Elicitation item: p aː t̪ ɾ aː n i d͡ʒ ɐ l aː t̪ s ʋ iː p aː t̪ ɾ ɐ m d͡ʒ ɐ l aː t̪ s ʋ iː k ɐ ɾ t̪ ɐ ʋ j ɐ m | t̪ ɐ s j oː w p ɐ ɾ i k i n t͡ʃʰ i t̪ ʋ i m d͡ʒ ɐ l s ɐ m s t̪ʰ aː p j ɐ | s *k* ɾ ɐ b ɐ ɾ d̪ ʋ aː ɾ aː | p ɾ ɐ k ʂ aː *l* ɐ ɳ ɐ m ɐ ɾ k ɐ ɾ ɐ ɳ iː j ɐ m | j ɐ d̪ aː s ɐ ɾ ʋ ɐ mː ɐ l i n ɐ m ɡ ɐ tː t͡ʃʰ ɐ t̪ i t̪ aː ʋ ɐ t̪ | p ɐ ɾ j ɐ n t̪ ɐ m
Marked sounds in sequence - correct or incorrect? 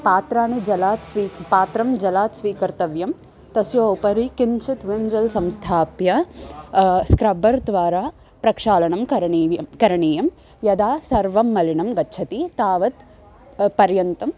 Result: correct, correct

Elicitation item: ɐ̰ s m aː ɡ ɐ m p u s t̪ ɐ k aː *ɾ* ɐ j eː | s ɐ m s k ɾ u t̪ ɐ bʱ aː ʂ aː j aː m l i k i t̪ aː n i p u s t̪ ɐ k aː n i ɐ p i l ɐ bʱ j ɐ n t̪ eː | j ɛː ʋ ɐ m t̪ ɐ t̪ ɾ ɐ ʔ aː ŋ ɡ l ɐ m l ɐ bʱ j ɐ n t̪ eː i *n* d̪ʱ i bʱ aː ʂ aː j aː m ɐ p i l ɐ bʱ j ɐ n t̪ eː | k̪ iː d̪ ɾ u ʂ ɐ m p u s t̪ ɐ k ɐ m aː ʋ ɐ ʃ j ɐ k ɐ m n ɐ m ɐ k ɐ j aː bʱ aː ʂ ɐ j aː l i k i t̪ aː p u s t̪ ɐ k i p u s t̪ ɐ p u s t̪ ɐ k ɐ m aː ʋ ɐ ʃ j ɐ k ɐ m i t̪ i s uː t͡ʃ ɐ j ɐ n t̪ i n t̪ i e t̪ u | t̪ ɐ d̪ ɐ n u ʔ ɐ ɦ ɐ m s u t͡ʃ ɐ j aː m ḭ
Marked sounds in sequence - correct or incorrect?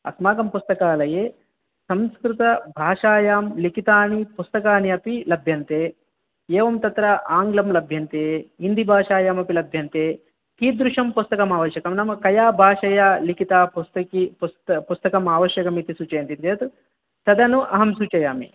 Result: incorrect, correct

